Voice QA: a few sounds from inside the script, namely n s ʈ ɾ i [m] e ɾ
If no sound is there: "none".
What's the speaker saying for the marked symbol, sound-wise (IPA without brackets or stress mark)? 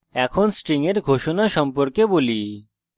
ŋ